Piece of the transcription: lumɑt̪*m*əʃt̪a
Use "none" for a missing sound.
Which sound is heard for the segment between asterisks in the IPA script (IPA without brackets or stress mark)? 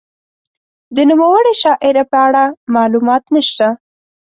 n